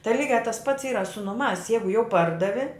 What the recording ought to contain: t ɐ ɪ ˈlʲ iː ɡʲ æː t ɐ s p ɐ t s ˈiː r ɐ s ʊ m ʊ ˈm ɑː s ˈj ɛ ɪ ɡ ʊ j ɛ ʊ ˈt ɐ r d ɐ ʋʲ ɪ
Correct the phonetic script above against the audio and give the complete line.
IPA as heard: t ɐ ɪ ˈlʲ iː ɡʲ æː t ɐ s p ɐ t s ˈiː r ɐ s ʊ n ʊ ˈm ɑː s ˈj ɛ ɪ ɡ ʊ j ɛ ʊ ˈp ɐ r d ɐ ʋʲ ɪ